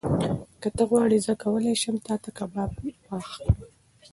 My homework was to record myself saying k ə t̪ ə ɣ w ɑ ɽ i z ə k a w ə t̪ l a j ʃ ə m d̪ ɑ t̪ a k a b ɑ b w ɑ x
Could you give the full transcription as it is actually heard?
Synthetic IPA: k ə t̪ ə ɣ w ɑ ɽ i z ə k a w ə l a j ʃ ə m t̪ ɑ t̪ a k a b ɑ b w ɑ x